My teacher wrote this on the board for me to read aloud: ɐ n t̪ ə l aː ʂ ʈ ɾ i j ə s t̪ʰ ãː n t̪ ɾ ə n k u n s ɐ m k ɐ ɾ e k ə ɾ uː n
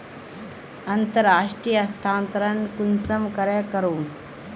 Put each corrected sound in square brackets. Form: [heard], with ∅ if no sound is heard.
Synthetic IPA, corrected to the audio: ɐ n t̪ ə [ɾ] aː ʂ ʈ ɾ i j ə s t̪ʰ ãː n t̪ ɾ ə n k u n s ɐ m k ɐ ɾ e k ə ɾ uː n